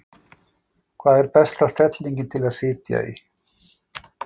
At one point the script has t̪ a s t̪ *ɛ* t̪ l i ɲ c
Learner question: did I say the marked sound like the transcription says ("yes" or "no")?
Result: yes